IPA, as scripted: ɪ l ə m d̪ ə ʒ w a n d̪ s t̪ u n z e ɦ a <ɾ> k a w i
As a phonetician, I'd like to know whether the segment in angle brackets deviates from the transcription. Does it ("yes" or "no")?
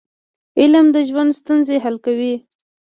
yes